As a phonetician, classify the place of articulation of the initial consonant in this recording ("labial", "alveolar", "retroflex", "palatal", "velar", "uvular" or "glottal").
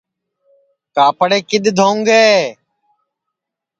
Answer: velar